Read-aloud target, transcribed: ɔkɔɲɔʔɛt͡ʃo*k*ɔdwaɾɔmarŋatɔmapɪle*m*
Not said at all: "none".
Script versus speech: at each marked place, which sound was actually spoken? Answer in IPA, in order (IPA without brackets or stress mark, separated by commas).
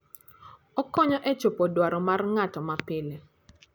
p, none